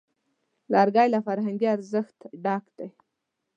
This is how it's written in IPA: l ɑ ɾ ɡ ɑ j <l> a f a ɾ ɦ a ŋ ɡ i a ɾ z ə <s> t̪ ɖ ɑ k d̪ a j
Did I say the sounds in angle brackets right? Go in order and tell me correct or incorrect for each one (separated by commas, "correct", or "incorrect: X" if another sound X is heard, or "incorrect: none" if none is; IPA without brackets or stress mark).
correct, incorrect: x